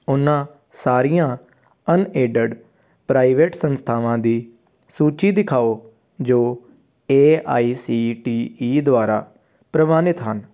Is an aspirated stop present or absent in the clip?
present